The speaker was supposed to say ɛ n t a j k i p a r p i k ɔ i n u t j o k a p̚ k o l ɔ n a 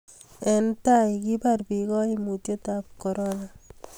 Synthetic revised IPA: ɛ n t a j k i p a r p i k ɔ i m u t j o t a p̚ k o ɾ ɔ n a